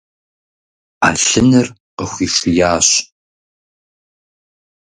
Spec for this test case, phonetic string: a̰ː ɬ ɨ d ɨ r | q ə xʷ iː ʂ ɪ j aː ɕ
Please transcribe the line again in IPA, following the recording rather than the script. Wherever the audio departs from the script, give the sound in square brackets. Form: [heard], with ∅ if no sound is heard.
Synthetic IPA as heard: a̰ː ɬ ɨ [n] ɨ r | q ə xʷ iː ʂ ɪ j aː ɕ